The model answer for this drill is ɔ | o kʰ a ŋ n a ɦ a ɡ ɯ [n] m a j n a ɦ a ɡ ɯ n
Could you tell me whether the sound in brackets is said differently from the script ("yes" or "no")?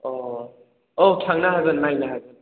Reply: no